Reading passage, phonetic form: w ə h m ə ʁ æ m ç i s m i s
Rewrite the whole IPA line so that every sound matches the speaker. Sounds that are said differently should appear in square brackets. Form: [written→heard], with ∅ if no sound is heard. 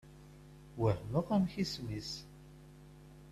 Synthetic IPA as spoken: w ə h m ə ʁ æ m ç i s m i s